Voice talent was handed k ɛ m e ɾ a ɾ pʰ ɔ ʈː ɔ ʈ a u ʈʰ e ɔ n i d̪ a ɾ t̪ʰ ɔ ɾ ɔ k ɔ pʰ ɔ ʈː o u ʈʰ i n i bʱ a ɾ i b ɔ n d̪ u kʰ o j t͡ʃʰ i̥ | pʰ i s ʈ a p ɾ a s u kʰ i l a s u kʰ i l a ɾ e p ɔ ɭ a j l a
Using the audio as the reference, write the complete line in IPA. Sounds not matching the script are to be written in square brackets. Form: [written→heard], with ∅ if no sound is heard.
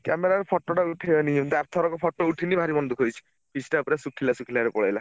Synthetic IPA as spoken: k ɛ m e ɾ a ɾ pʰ ɔ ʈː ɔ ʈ a u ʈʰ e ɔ n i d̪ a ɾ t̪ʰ ɔ ɾ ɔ k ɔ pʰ ɔ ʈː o u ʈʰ i n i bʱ a ɾ i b ɔ n d̪ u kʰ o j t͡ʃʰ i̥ | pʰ i s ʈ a p ɾ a s u kʰ i l a s u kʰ i l a ɾ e p ɔ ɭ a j l a